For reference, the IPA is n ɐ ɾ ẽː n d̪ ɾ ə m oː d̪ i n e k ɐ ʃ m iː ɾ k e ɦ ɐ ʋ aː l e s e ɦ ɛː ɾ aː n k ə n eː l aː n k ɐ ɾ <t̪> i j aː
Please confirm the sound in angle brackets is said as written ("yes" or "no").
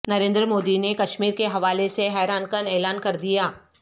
no